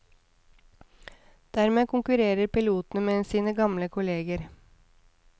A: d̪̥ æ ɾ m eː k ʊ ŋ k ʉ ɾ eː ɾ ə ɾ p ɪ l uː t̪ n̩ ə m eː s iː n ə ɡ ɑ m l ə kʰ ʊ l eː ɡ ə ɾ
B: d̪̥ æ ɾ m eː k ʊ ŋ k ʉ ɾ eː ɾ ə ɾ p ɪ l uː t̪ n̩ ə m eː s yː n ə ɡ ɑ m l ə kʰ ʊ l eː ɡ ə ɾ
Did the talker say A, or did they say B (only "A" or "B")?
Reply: A